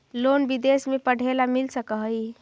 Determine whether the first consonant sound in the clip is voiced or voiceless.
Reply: voiced